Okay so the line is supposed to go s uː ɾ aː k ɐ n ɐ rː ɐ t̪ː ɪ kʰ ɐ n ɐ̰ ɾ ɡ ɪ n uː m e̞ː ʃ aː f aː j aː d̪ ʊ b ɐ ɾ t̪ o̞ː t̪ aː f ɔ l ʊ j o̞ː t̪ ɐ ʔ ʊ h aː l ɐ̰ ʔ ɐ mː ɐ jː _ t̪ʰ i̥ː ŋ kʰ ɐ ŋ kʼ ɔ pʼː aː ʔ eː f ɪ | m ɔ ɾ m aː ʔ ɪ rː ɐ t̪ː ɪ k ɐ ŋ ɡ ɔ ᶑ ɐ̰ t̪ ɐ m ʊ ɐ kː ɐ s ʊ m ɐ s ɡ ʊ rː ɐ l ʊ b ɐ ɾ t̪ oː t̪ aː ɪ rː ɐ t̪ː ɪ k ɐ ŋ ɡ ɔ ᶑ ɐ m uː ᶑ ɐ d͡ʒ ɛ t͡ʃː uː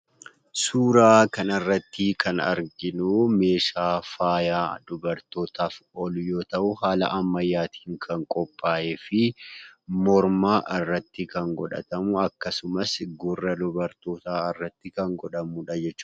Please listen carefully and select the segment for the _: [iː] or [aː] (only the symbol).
aː